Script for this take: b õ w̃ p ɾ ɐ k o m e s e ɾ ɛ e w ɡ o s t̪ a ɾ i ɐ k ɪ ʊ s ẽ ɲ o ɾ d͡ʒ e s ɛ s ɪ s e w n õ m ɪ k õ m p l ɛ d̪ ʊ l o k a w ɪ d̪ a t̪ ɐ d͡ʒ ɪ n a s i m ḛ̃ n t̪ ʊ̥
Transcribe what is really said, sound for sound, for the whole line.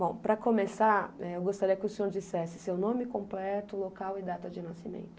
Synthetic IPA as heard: b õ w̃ p ɾ ɐ k o m e s a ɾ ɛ e w ɡ o s t̪ a ɾ i ɐ k ɪ ʊ s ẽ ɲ o ɾ d͡ʒ i s ɛ s ɪ s e w n õ m ɪ k õ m p l ɛ t̪ ʊ l o k a w ɪ d̪ a t̪ ɐ d͡ʒ ɪ n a s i m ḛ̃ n t̪ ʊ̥

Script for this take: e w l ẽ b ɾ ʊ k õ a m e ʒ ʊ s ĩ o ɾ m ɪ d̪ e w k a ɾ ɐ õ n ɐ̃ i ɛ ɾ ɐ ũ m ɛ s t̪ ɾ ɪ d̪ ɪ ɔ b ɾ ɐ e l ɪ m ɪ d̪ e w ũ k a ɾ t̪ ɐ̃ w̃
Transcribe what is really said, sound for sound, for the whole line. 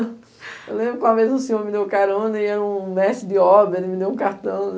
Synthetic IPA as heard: e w l ẽ b ɾ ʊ k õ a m e z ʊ s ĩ o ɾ m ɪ d̪ e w k a ɾ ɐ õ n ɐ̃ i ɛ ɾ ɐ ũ m ɛ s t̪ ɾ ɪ d̪ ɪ ɔ b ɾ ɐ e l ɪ m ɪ d̪ e w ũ k a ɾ t̪ ɐ̃ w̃

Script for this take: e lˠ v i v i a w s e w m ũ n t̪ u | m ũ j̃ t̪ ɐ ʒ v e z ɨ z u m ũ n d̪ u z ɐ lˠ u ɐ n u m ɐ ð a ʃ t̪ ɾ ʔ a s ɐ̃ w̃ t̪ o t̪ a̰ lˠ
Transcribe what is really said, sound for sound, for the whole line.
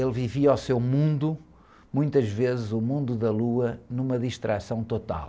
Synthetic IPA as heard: e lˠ v i v i a w s e w m ũ n d̪ u | m ũ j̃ t̪ ɐ ʒ v e z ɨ z u m ũ n d̪ u ð ɐ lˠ u ɐ n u m ɐ ð i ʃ t̪ ɾ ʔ a s ɐ̃ w̃ t̪ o t̪ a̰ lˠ

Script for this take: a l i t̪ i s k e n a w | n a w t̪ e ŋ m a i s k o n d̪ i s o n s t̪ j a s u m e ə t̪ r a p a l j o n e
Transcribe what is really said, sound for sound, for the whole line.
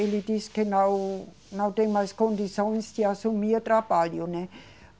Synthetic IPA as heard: e l i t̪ i s k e n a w | n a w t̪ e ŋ m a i s k o n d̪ i s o n s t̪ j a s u m i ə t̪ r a p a l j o n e

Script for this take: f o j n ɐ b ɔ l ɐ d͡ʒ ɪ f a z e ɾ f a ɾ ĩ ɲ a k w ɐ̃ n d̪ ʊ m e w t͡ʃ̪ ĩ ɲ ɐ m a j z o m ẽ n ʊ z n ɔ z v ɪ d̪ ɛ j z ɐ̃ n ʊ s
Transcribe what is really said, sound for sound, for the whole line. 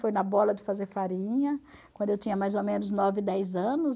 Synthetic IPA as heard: f o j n ɐ b ɔ l ɐ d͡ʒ ɪ f a z e ɾ f a ɾ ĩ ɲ ɐ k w ɐ̃ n d̪ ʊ e w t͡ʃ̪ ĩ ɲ ɐ m a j z o m ẽ n ʊ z n ɔ v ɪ d̪ ɛ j z ɐ̃ n ʊ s

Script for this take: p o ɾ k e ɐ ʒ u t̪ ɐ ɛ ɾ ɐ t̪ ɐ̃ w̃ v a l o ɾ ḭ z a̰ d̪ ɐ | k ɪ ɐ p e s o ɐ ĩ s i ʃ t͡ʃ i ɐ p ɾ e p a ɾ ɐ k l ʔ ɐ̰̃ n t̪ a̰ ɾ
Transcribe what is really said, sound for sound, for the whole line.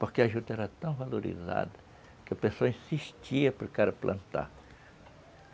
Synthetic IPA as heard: p o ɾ k e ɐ ʒ u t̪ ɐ ɛ ɾ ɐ t̪ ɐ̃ w̃ v a l o ɾ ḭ z a̰ d̪ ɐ | k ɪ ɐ p e s o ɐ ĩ s i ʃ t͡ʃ i ɐ p ɾ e k a ɾ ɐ p l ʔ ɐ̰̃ n t̪ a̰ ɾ

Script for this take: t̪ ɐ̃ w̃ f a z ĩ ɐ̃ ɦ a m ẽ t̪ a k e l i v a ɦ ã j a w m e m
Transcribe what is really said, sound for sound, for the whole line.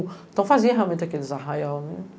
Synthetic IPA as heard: t̪ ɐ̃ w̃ f a z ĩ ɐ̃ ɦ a m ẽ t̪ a k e l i z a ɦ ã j a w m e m

